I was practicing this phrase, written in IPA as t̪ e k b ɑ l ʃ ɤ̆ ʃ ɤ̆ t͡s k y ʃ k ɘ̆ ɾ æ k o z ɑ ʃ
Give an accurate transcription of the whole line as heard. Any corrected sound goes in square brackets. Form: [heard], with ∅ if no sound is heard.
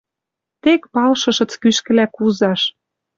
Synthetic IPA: t̪ e k [p] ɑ l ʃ ɤ̆ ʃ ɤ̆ t͡s k y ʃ k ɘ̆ [l] æ k [u] z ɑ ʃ